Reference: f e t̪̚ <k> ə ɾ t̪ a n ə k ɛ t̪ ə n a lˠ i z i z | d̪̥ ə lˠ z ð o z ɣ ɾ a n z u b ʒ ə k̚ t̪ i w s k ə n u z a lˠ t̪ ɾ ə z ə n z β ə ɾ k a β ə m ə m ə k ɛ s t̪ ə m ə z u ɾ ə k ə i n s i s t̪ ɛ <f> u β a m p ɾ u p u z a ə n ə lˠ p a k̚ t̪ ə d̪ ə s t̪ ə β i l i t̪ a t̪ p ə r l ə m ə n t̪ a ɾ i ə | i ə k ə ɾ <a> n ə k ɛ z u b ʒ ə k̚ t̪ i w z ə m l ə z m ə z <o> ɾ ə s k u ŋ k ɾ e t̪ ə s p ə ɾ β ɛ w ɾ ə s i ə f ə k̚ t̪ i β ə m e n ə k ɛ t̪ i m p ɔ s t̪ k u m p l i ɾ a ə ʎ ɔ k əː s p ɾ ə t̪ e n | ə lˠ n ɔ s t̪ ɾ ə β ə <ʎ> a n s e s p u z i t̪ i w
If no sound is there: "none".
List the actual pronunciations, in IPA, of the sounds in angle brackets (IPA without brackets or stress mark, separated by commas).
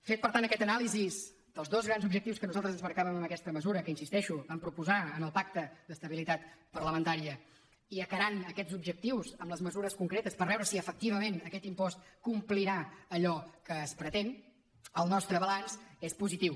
p, ʃ, a, u, l